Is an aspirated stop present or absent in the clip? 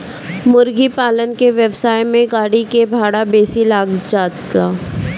absent